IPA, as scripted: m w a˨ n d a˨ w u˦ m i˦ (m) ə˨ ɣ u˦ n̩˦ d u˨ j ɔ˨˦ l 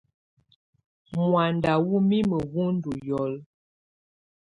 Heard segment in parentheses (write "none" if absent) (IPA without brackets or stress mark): m